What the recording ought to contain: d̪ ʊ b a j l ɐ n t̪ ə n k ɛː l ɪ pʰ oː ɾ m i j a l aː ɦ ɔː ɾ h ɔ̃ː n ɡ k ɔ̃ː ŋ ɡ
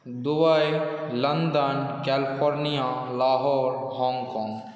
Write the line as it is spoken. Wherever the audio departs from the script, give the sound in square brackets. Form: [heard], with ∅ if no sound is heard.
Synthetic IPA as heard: d̪ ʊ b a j l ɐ n [d̪] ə n k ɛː l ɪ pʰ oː ɾ [n] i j a l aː ɦ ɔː ɾ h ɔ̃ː [ŋ] ɡ k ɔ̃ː ŋ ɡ